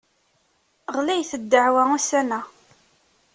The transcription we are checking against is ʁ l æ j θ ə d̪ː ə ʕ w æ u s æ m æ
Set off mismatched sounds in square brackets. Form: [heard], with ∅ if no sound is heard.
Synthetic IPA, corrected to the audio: ʁ l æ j θ ə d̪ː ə ʕ w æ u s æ [n] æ